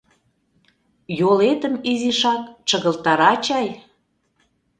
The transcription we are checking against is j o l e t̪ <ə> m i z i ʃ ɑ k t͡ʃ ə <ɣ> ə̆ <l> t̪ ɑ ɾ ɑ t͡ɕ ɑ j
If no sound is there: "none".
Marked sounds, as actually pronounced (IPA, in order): ə, ɣ, l

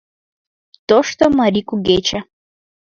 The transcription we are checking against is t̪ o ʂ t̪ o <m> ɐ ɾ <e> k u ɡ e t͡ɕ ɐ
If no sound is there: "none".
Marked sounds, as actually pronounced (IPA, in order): m, i

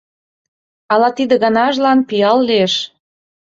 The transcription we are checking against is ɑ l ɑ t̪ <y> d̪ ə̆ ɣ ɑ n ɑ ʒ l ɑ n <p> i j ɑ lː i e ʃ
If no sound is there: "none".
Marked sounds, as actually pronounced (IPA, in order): i, p

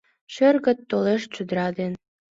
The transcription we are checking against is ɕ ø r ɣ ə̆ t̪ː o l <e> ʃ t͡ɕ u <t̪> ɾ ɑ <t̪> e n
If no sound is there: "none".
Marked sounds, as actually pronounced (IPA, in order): e, d̪, d̪

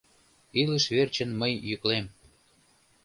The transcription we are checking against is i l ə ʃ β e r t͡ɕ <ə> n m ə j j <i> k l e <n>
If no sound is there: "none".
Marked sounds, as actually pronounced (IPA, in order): ə, y, m

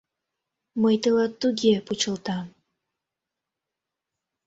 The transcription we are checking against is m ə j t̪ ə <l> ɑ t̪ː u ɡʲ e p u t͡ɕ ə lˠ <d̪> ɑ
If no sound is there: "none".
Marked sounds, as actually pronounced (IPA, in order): l, t̪

